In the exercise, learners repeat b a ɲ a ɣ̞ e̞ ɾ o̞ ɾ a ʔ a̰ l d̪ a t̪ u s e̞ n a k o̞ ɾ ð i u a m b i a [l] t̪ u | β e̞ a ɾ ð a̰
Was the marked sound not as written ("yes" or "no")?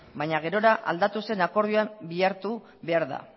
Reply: yes